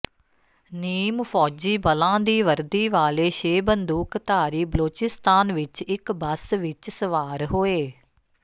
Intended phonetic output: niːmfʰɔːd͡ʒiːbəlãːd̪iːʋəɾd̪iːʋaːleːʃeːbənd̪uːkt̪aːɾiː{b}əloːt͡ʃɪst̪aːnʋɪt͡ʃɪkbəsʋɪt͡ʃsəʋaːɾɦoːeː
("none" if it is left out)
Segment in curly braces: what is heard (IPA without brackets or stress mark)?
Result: b